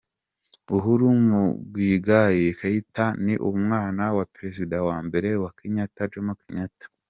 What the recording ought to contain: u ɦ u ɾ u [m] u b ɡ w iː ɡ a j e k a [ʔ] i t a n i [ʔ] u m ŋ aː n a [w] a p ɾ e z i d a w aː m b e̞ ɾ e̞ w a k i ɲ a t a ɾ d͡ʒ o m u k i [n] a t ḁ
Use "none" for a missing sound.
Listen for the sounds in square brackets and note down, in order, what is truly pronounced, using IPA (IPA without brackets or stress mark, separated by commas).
m, none, ʔ, w, ɲ